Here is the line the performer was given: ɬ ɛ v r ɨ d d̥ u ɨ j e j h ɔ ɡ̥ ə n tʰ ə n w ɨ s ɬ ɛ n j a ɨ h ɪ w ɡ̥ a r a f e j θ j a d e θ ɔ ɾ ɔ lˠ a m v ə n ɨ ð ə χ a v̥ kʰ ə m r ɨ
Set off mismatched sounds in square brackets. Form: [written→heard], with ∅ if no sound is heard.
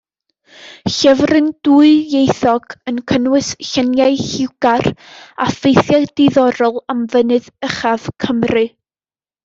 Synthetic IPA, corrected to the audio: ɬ ɛ v r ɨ [d→n] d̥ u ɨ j e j [h→θ] ɔ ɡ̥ ə n [tʰ→kʰ] ə n w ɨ s ɬ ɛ n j a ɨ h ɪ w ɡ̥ a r a f e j θ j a d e [θ→ð] ɔ ɾ ɔ lˠ a m v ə n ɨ ð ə χ a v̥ kʰ ə m r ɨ